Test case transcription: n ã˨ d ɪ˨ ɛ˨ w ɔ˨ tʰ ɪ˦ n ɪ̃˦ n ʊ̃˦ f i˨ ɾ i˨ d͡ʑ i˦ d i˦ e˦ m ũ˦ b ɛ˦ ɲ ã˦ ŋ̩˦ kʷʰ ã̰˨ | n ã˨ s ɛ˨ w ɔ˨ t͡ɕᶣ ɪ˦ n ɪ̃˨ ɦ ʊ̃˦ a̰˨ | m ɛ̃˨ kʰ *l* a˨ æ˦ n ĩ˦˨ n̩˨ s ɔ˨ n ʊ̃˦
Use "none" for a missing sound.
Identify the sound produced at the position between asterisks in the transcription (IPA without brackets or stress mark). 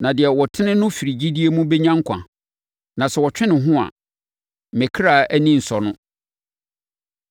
ɾ